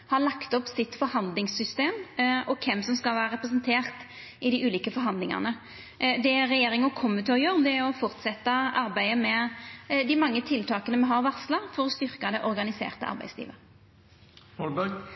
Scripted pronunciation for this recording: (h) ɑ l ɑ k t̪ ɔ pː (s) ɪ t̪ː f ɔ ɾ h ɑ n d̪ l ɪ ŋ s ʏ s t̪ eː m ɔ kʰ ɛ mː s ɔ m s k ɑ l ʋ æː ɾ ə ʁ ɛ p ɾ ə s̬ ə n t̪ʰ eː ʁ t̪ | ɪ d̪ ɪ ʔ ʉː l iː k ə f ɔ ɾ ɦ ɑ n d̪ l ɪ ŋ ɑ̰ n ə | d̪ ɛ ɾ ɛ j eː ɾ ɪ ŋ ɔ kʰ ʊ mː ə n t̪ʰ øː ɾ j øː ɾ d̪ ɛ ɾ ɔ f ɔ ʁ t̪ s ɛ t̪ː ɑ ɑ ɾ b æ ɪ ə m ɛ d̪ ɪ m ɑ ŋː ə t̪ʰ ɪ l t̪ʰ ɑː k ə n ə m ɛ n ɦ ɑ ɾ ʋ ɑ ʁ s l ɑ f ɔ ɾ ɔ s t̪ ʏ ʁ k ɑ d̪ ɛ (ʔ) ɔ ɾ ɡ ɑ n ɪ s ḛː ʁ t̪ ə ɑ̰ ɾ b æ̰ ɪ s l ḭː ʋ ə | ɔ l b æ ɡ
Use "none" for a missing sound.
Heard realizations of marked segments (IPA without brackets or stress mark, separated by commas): h, s, ʔ